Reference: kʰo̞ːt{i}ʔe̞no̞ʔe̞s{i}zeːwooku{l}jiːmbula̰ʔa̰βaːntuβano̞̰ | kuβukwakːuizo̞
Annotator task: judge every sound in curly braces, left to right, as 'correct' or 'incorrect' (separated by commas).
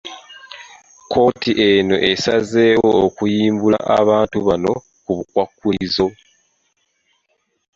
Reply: correct, incorrect, incorrect